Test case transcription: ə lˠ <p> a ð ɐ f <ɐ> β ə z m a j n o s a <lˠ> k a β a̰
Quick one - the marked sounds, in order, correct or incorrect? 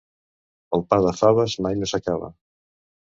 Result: correct, incorrect, incorrect

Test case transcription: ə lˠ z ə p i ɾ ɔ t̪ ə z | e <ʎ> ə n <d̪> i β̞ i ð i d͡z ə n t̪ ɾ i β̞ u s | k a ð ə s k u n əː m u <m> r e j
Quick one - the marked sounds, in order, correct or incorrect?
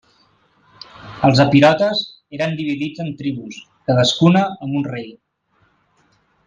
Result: incorrect, correct, incorrect

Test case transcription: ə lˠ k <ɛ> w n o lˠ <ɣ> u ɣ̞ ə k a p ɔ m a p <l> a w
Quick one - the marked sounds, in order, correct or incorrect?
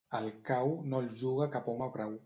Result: incorrect, incorrect, incorrect

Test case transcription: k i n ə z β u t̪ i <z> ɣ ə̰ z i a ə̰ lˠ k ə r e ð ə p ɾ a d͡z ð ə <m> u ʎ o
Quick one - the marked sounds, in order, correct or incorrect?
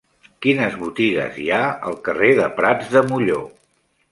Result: incorrect, correct

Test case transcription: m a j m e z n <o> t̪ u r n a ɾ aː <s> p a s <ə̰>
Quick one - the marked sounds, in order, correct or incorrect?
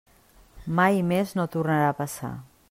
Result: correct, incorrect, incorrect

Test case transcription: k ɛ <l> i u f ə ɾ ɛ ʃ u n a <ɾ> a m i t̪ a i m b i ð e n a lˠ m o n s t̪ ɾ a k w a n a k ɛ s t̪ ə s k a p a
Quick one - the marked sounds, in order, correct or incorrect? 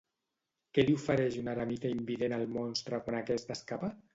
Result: correct, correct

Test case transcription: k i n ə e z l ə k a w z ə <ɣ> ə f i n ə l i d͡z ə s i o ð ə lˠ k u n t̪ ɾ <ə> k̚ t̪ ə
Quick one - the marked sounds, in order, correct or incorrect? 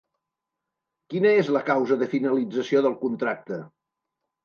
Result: incorrect, incorrect

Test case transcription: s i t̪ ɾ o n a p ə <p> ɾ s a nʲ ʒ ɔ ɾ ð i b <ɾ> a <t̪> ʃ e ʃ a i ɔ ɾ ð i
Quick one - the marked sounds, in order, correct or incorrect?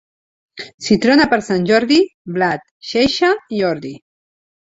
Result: incorrect, incorrect, correct

